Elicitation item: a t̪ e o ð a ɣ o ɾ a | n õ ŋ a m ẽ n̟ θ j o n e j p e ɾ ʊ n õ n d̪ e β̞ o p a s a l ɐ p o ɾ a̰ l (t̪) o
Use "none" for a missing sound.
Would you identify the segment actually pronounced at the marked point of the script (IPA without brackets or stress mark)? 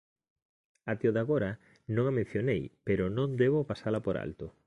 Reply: t̪